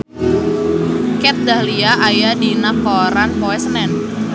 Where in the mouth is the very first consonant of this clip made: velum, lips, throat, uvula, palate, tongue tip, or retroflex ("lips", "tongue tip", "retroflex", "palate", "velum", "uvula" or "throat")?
velum